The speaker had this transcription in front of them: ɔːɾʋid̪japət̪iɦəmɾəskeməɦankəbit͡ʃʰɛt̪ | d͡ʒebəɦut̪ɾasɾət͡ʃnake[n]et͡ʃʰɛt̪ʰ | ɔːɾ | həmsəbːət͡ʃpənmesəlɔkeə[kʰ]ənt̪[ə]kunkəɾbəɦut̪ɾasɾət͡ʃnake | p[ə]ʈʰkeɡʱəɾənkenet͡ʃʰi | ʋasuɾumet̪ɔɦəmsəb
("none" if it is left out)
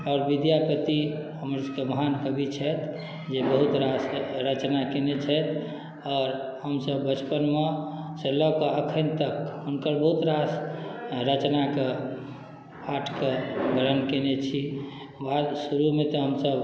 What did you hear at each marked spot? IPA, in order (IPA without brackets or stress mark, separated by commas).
n, kʰ, ə, a